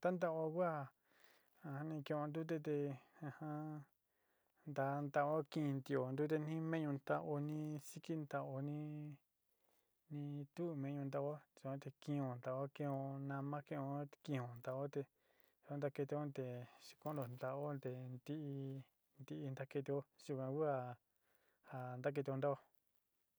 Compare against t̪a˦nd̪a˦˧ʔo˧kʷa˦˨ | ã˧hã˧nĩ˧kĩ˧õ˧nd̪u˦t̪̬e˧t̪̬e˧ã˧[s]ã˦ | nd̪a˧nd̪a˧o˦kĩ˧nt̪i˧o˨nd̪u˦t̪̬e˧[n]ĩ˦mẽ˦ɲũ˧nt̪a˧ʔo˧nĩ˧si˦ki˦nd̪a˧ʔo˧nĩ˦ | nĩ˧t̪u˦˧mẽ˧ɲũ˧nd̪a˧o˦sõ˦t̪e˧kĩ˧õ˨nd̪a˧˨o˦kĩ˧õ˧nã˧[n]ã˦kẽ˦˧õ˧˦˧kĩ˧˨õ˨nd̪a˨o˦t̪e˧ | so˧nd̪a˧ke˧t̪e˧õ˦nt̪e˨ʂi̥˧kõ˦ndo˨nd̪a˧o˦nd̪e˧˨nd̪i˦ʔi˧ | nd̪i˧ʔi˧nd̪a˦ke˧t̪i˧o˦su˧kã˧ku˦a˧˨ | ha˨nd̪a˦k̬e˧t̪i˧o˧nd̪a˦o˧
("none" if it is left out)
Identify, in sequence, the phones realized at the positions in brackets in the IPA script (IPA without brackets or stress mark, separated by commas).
h, n, m